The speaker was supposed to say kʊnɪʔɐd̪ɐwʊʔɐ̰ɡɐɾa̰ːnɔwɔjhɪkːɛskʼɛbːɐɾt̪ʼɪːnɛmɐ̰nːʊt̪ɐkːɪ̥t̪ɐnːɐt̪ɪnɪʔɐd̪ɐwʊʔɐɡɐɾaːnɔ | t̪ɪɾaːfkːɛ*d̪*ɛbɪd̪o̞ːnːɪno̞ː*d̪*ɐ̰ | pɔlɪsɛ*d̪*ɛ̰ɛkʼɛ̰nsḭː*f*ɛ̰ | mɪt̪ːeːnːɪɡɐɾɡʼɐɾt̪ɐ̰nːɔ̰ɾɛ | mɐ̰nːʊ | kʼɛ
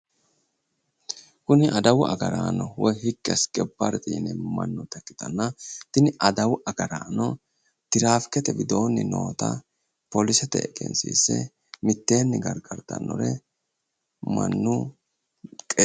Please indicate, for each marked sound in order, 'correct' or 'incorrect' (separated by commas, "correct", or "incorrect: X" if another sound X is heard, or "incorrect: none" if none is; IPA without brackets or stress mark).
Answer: incorrect: t̪, incorrect: t̪, incorrect: t̪, incorrect: s